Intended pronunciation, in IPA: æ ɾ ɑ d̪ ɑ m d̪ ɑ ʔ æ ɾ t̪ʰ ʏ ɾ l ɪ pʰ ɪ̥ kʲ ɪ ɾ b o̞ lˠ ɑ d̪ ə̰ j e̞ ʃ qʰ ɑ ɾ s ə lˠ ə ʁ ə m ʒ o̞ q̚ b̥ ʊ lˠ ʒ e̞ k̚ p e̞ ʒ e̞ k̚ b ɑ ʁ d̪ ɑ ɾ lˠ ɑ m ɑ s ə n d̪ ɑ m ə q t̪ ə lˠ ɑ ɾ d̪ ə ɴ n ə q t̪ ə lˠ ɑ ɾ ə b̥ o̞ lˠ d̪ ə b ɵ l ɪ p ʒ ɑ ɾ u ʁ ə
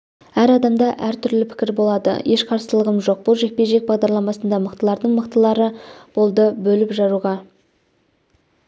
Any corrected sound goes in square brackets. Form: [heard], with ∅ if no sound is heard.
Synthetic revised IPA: æ ɾ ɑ d̪ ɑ m d̪ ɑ ʔ æ ɾ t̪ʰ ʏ ɾ l ɪ pʰ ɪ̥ kʲ ɪ ɾ b o̞ lˠ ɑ d̪ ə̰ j e̞ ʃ qʰ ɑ ɾ s ə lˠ ə ʁ ə m ʒ o̞ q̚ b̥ ʊ lˠ ʒ e̞ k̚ p e̞ ʒ e̞ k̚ b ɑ ʁ d̪ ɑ ɾ lˠ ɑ m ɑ s ə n d̪ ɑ m ə q t̪ ə lˠ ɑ ɾ d̪ ə ɴ [m] ə q t̪ ə lˠ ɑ ɾ ə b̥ o̞ lˠ d̪ ə b ɵ l ɪ p ʒ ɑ ɾ u ʁ [ɑ]